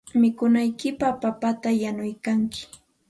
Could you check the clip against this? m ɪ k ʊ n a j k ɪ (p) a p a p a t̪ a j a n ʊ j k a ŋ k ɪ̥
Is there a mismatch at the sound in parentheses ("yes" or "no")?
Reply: no